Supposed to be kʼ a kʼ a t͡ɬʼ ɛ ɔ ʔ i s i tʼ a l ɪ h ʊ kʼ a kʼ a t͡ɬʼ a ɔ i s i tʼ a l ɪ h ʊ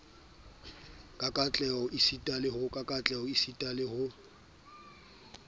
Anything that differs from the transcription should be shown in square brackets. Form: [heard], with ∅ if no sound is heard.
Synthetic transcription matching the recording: kʼ a kʼ a t͡ɬʼ ɛ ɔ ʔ i s i tʼ a l ɪ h ʊ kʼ a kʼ a t͡ɬʼ [ɛ] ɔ i s i tʼ a l ɪ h ʊ